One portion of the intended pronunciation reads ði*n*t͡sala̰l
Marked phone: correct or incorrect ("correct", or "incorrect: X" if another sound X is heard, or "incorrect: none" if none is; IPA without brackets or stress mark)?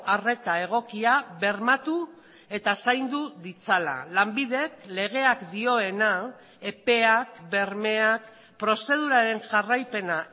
incorrect: none